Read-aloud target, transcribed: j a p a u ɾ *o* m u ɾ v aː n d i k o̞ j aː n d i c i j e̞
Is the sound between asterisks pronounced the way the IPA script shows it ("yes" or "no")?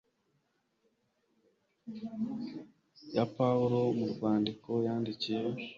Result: yes